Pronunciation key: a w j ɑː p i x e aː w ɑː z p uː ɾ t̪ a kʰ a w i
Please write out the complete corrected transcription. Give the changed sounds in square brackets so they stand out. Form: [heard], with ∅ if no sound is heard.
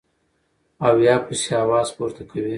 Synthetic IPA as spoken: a w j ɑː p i [s] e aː w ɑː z p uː ɾ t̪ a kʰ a w i